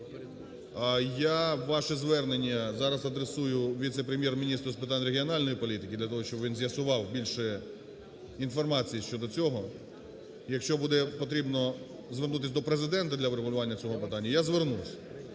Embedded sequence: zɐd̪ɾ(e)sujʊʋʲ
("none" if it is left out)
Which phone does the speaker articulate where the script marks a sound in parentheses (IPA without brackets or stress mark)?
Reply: e